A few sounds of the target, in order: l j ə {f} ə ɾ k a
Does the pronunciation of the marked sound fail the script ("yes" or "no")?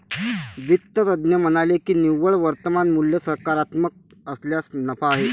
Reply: yes